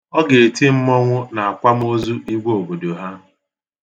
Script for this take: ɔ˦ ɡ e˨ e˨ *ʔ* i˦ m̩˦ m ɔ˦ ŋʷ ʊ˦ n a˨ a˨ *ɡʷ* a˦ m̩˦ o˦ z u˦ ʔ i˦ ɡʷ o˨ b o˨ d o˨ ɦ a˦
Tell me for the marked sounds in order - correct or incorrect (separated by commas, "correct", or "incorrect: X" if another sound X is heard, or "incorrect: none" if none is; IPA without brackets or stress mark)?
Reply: incorrect: t, incorrect: kʷ